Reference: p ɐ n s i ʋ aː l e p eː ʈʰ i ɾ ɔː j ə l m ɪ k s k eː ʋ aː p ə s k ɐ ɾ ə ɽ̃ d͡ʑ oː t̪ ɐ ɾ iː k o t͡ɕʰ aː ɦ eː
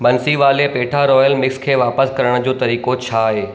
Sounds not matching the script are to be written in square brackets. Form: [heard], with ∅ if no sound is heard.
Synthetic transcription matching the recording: [b] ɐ n s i ʋ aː l e p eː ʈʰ [a] ɾ ɔː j ə l m ɪ k s [kʰ] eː ʋ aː p ə s k ɐ ɾ ə ɽ̃ d͡ʑ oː t̪ ɐ ɾ iː k o t͡ɕʰ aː ɦ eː